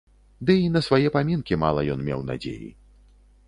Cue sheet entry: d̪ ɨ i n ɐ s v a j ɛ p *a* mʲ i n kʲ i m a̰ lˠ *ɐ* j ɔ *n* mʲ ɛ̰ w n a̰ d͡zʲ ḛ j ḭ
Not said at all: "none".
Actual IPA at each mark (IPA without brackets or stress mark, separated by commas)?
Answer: a, ɐ, n